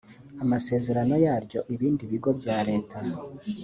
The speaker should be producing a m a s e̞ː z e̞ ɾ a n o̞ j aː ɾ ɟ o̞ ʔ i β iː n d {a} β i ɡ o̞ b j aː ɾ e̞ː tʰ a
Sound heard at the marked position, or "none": i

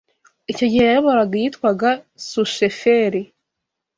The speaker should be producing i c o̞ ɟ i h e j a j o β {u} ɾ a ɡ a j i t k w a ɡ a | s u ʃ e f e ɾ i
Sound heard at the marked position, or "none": o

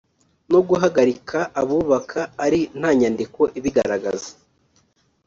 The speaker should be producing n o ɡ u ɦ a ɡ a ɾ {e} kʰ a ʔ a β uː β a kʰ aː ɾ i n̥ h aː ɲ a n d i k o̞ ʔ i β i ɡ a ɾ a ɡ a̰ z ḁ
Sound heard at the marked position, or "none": i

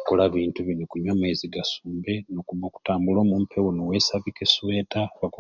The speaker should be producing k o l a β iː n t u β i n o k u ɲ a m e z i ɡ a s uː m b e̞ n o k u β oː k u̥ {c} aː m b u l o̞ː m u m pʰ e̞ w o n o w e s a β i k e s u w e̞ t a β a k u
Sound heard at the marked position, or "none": t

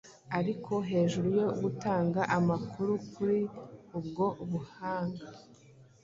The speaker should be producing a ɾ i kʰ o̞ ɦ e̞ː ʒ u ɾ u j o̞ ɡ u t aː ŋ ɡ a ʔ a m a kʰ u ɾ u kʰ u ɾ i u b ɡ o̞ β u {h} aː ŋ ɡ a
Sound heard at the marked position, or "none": h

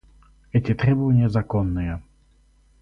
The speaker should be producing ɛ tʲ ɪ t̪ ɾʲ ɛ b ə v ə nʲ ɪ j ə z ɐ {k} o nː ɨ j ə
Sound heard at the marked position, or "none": k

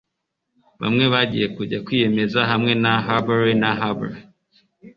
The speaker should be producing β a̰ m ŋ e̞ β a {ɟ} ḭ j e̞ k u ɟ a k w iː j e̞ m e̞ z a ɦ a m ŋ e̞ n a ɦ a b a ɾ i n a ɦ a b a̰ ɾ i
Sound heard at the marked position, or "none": ɟ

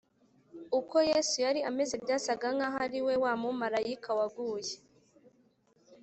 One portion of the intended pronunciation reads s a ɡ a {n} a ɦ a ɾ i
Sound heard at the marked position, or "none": ŋ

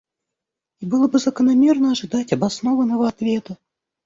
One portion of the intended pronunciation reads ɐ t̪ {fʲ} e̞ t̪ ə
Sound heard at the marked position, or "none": vʲ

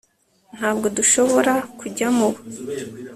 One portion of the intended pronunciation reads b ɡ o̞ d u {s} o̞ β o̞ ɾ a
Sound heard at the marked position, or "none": ʃ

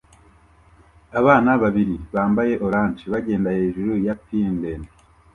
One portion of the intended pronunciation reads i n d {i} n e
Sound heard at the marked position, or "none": e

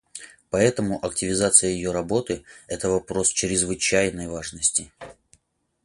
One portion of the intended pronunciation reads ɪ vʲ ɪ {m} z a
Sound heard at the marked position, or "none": none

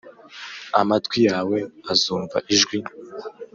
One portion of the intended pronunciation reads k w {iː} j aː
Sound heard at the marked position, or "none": i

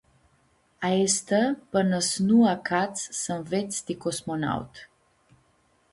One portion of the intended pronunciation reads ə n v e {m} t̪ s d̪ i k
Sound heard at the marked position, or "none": none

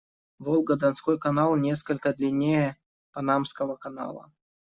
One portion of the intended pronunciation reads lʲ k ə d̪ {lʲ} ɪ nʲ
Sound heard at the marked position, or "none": lʲ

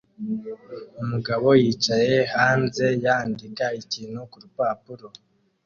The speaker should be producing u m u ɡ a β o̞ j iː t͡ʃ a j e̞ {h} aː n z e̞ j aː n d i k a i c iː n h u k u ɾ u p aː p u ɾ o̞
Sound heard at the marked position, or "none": h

